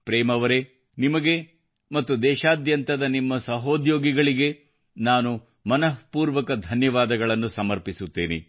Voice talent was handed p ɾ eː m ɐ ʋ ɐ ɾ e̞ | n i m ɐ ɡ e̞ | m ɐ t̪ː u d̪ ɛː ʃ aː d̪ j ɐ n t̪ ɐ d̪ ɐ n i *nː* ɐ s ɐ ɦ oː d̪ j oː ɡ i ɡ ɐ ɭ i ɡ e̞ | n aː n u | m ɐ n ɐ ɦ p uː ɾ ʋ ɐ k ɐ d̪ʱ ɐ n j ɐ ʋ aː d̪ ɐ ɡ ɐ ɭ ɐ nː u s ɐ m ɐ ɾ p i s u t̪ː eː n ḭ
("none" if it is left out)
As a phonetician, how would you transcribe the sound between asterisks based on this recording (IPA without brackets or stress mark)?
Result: mː